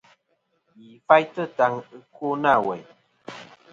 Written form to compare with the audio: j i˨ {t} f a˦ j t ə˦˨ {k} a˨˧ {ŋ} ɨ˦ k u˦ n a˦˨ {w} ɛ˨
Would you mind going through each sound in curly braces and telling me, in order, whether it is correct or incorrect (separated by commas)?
incorrect, incorrect, correct, correct